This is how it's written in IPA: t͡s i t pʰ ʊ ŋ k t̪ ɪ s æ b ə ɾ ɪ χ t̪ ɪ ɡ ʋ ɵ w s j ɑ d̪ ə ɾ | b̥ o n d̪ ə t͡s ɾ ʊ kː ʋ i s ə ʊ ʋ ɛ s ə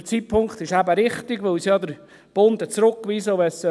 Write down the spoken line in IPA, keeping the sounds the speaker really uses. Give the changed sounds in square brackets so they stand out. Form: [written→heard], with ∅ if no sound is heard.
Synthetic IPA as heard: t͡s i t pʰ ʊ ŋ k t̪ ɪ [s→ʃ] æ b ə ɾ ɪ χ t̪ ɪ ɡ ʋ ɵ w s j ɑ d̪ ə ɾ | b̥ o n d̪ ə t͡s ɾ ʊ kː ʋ i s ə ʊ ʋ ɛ s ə